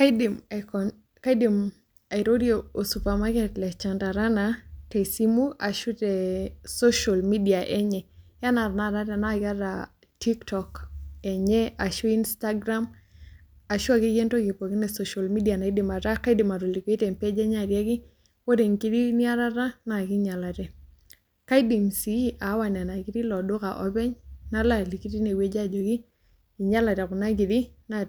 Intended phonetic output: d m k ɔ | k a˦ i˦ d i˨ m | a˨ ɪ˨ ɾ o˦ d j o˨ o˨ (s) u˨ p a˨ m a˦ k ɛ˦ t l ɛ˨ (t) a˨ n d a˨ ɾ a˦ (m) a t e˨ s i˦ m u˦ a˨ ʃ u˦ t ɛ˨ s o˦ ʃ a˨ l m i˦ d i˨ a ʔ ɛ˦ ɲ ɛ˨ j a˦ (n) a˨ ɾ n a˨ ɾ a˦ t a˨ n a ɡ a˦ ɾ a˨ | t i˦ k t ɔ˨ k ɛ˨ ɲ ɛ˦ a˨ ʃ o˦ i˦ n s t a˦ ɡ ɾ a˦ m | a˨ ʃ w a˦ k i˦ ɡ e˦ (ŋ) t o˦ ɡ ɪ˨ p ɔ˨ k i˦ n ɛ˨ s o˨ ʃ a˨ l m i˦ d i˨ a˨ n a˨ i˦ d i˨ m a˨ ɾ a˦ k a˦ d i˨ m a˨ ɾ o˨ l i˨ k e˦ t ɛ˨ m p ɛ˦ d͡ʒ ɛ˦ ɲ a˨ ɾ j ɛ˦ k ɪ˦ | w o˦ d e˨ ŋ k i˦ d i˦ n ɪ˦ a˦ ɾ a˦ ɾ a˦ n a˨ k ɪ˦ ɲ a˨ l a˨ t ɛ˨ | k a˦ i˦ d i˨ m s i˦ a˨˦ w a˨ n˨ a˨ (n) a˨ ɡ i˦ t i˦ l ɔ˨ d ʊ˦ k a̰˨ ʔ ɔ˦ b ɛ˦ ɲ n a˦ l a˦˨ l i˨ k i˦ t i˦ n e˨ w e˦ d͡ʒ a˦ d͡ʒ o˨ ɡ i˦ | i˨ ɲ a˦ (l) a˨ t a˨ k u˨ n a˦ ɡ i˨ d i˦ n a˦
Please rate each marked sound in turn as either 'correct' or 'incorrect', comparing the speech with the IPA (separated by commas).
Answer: correct, incorrect, incorrect, correct, incorrect, correct, correct